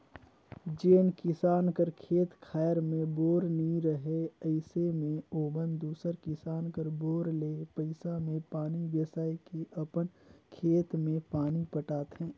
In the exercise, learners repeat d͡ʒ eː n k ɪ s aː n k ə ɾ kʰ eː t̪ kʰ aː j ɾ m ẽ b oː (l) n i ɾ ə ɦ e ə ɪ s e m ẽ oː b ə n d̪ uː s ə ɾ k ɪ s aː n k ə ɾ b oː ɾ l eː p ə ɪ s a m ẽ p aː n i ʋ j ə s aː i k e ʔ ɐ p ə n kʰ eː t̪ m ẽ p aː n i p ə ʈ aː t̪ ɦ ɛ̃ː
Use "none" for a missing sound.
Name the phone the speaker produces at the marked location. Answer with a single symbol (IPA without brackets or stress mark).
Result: ɾ